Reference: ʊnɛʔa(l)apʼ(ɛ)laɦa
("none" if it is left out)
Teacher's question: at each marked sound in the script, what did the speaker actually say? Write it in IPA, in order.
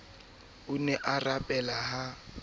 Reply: r, ɛ

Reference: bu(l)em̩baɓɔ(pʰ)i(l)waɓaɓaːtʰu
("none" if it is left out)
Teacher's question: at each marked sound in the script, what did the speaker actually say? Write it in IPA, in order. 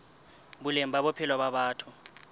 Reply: l, pʰ, l

